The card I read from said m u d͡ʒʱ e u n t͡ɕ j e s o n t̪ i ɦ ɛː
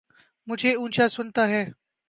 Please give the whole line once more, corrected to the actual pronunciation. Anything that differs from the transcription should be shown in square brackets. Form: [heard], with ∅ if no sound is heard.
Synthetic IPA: m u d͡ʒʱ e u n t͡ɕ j [a] s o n t̪ [a] ɦ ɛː